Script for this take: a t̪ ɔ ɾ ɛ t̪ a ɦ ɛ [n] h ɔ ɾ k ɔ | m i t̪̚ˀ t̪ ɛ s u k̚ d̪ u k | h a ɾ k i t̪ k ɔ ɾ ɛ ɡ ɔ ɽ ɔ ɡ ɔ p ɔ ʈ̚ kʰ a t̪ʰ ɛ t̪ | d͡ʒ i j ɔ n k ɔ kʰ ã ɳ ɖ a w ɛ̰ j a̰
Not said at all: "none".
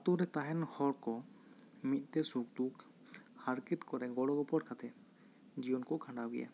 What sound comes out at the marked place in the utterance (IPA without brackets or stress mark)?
n